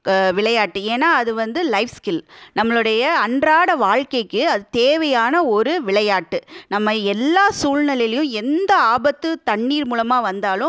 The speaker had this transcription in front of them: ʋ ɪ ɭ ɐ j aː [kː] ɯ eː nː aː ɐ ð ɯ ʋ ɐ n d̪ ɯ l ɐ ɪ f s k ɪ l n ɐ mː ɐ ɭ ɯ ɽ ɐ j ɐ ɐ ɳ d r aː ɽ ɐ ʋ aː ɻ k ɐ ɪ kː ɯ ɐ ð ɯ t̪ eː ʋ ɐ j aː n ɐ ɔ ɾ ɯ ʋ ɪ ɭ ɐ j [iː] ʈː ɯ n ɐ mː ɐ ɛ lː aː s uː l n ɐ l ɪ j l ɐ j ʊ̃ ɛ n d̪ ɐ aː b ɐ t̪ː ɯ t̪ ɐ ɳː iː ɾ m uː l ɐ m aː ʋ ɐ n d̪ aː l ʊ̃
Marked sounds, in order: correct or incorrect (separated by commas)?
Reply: incorrect, incorrect